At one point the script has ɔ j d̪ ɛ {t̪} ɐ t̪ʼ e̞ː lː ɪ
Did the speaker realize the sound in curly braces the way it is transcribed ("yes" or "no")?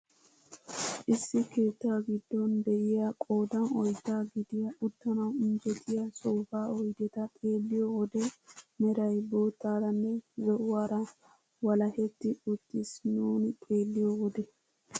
yes